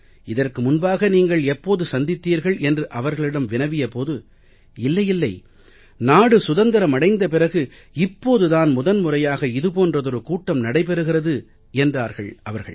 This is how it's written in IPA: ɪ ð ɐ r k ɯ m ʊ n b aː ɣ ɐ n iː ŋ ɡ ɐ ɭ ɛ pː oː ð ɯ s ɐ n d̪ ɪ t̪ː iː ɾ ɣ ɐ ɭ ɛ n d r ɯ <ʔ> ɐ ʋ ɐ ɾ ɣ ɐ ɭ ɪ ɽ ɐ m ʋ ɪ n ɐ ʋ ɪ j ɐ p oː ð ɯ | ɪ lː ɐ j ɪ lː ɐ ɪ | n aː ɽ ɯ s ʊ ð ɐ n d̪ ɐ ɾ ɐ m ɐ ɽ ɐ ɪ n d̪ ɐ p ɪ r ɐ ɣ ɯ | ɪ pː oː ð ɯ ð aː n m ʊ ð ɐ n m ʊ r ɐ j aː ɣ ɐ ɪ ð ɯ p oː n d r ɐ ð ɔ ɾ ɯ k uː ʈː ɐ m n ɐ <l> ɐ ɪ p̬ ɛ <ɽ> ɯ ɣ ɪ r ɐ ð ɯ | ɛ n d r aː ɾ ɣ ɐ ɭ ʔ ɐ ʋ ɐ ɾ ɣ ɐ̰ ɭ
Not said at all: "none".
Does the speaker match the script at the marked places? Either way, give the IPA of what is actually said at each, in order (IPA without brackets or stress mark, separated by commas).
ʔ, ɽ, ɾ